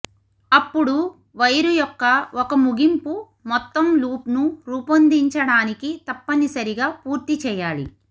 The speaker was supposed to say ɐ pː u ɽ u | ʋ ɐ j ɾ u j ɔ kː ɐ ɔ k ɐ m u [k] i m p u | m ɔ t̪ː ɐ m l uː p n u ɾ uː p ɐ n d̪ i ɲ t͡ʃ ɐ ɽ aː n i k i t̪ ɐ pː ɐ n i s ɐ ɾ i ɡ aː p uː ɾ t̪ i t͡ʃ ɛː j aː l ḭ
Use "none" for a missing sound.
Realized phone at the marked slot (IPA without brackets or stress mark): ɡ